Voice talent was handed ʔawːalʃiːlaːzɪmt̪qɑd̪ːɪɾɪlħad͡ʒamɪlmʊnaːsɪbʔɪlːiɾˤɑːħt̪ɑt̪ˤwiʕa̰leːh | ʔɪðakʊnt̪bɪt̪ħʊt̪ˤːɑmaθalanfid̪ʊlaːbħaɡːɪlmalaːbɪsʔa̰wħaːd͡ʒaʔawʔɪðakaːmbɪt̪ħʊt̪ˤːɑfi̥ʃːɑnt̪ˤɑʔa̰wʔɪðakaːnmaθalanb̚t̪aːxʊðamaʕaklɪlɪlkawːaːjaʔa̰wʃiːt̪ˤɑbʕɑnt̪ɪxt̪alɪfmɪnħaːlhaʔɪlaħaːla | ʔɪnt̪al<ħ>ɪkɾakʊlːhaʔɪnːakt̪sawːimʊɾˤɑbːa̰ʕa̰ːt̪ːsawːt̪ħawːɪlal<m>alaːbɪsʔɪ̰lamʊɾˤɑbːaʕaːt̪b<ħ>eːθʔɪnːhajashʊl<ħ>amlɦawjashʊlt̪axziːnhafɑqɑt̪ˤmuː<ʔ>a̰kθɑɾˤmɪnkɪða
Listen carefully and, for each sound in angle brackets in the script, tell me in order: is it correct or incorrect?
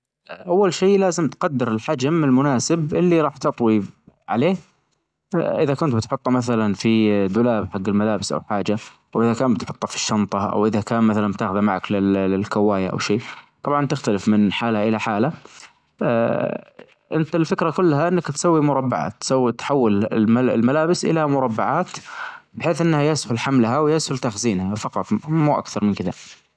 incorrect, correct, correct, correct, correct

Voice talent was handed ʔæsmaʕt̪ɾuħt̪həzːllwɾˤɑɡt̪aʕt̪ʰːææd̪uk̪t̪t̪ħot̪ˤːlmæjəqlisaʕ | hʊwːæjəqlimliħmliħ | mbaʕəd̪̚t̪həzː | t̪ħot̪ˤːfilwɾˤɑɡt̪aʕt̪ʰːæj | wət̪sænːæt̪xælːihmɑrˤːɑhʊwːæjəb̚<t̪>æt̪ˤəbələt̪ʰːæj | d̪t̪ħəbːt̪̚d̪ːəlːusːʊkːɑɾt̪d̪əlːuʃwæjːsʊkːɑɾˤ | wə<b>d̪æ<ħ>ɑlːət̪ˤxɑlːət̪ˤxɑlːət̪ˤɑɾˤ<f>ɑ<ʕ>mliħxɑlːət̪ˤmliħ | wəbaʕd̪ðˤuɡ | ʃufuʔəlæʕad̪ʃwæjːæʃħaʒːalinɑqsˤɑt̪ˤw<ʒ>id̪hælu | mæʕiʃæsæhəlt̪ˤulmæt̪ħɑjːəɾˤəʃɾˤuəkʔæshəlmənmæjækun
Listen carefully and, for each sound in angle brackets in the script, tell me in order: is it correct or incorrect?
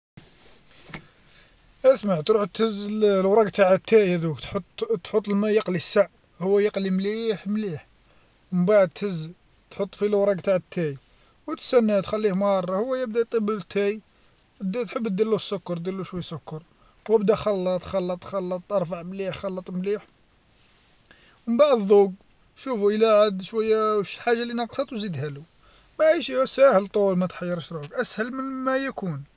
incorrect, correct, incorrect, correct, correct, incorrect

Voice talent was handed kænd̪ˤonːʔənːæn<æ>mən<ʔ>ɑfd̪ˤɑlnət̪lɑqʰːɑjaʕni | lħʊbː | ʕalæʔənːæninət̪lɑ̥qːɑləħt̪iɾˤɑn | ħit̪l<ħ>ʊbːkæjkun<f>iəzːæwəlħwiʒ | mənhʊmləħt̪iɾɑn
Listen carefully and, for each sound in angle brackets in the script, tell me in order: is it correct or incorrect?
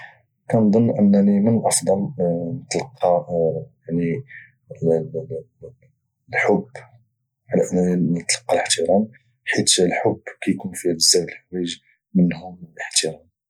incorrect, correct, correct, correct

